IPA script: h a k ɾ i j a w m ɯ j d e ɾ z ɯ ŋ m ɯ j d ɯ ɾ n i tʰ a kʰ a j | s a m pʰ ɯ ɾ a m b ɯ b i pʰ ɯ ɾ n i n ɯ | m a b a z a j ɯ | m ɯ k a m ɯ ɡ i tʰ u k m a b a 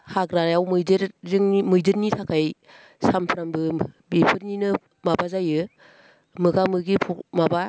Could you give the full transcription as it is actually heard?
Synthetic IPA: h a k ɾ a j a w m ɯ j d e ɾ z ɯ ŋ m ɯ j d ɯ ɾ n i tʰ a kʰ a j | s a m pʰ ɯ ɾ a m b ɯ b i pʰ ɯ ɾ n i n ɯ | m a b a z a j ɯ | m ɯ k a m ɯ ɡ i pʰ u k m a b a